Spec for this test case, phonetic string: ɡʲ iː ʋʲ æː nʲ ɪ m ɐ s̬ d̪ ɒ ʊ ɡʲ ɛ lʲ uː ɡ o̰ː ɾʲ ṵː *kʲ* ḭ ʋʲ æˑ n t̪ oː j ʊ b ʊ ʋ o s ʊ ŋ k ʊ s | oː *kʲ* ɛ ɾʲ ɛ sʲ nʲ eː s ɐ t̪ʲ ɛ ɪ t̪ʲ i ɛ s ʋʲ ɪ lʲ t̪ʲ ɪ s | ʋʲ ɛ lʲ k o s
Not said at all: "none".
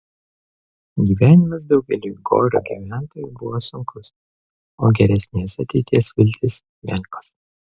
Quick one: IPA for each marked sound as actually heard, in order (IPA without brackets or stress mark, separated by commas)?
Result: ɡʲ, ɡʲ